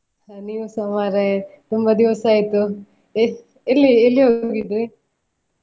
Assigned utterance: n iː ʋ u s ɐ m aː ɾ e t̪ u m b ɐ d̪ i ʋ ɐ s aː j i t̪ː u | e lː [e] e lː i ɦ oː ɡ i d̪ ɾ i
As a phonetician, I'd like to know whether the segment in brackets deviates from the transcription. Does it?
yes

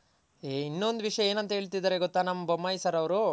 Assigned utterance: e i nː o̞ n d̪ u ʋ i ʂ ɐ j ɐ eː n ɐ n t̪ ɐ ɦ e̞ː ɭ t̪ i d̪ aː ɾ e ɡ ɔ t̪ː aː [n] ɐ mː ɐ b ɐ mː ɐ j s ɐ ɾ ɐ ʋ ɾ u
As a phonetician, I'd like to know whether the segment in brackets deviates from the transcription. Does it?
no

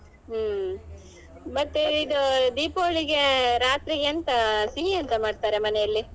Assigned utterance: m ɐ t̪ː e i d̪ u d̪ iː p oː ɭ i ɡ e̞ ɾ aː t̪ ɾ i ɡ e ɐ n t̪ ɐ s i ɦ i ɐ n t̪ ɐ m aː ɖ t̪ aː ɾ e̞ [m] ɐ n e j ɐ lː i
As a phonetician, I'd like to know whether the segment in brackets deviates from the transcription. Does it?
no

